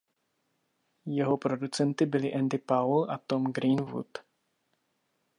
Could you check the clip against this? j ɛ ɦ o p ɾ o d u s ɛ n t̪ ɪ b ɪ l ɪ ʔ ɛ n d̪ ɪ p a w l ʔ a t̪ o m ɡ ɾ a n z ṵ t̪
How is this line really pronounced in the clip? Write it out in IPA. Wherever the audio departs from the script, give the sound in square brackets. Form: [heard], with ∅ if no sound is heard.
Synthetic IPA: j ɛ ɦ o p ɾ o d u [t͡s] ɛ n t̪ ɪ b ɪ l ɪ ʔ ɛ n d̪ ɪ p a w l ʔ a t̪ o m ɡ ɾ [i] n [v] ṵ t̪